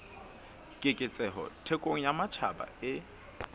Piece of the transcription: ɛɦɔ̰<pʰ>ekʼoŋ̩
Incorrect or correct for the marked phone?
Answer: incorrect: tʰ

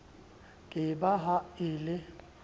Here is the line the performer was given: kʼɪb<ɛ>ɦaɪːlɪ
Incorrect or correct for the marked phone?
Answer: incorrect: a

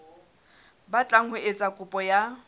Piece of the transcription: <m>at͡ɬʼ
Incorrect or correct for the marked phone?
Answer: incorrect: b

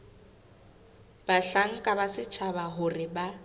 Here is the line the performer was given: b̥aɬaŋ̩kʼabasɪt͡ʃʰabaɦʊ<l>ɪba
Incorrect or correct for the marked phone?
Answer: incorrect: r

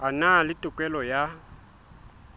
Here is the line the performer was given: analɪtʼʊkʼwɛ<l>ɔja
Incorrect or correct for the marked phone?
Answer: correct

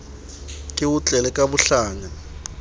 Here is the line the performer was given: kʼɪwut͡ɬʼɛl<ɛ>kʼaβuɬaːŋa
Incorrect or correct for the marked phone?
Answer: correct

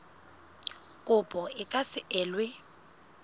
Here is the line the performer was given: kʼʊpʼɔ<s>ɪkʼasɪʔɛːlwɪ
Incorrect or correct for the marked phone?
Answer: incorrect: none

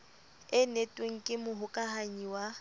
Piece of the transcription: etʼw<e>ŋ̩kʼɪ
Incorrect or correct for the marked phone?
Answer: correct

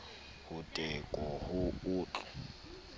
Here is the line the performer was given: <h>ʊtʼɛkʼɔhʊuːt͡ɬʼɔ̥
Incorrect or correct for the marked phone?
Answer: correct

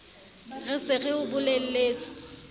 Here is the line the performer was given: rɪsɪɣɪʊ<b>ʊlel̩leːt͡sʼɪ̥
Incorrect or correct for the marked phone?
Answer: correct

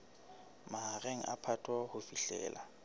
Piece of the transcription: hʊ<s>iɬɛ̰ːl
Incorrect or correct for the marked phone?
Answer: incorrect: f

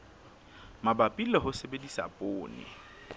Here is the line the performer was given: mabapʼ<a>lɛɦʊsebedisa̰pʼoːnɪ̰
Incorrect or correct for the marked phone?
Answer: incorrect: i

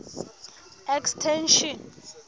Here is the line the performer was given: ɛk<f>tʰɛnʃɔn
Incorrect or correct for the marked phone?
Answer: incorrect: s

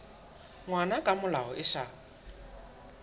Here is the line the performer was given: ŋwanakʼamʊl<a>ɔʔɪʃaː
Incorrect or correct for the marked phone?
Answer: correct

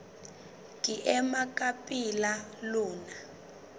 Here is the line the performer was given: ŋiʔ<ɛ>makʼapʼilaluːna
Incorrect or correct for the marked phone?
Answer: correct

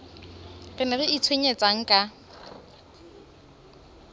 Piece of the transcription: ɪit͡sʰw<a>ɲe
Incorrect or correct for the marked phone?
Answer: incorrect: e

